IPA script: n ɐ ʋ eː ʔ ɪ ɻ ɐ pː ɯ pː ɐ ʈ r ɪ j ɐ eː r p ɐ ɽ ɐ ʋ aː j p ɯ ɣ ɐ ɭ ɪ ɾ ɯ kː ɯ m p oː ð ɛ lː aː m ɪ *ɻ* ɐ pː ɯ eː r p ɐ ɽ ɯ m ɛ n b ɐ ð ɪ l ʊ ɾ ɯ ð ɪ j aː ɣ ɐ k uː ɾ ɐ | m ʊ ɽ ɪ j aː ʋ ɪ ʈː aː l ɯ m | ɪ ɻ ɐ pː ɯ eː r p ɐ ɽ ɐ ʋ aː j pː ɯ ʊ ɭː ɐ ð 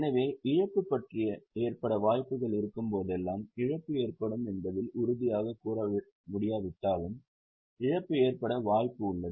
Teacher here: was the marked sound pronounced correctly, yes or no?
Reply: yes